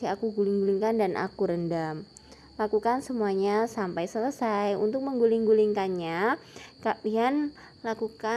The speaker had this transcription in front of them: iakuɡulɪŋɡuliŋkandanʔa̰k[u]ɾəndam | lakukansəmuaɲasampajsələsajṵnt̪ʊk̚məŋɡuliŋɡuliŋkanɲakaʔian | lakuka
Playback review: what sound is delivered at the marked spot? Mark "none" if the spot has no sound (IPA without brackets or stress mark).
u